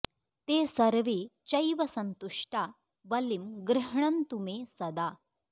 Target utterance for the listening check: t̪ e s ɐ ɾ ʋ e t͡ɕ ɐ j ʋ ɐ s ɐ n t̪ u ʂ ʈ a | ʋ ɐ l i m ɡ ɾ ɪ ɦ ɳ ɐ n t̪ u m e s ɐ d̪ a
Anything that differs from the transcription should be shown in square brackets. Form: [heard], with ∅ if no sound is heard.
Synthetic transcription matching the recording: t̪ e s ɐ ɾ ʋ e t͡ɕ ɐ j ʋ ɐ s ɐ n t̪ u ʂ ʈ a | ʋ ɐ l i m ɡ ɾ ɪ ɦ ɳ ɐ n t̪ u m e s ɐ d̪ a